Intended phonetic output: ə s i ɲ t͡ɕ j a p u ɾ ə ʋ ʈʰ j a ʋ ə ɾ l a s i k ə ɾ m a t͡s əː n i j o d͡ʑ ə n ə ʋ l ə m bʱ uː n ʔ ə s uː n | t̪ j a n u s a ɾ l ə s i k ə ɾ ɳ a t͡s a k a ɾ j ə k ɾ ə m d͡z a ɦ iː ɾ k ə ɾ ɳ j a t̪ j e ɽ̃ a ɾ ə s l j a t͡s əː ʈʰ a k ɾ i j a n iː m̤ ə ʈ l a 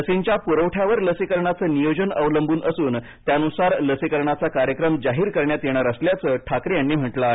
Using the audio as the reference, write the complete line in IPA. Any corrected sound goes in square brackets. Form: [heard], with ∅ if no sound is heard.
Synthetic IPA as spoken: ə s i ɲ t͡ɕ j a p u ɾ ə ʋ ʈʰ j a ʋ ə ɾ l [ə] s i k ə ɾ [ɳ] a t͡s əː n i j o d͡ʑ ə n ə ʋ l ə m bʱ uː n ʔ ə s uː n | t̪ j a n u s a ɾ l ə s i k ə ɾ ɳ a t͡s a k a ɾ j ə k ɾ ə m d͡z a ɦ iː ɾ k ə ɾ ɳ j a t̪ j e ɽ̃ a ɾ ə s l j a t͡s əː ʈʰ a k ɾ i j a [nː] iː m̤ ə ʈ l a